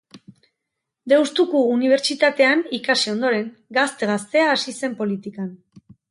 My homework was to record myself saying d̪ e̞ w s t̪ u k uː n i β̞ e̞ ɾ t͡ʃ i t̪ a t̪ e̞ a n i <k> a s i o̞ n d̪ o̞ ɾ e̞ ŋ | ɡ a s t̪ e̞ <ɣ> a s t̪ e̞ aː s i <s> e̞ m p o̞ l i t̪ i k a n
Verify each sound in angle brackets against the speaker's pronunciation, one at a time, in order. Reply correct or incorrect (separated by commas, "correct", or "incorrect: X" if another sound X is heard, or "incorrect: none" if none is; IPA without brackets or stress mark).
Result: correct, correct, correct